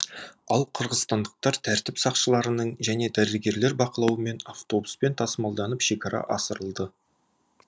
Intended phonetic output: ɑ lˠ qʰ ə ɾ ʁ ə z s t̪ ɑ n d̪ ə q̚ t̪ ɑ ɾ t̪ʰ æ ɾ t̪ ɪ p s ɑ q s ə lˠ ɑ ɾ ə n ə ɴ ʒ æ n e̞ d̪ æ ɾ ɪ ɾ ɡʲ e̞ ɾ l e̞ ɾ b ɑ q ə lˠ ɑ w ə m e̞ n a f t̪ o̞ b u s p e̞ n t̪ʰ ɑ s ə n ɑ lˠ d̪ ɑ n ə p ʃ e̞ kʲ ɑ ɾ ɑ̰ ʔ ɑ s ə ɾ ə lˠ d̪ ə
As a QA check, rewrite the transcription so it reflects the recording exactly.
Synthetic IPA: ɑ lˠ qʰ ə ɾ ʁ ə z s t̪ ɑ n d̪ ə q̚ t̪ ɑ ɾ t̪ʰ æ ɾ t̪ ɪ p s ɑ q ʃ ə lˠ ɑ ɾ ə n ə ɴ ʒ æ n e̞ d̪ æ ɾ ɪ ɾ ɡʲ e̞ ɾ l e̞ ɾ b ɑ q ə lˠ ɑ w ə m e̞ n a f t̪ o̞ b u s p e̞ n t̪ʰ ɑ s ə m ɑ lˠ d̪ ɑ n ə p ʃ e̞ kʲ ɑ ɾ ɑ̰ ʔ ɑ s ə ɾ ə lˠ d̪ ə